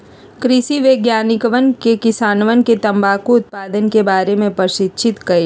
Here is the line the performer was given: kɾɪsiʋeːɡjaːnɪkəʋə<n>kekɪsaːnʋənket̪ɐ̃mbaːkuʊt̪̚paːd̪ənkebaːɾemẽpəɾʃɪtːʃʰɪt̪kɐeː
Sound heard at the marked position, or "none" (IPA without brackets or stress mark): n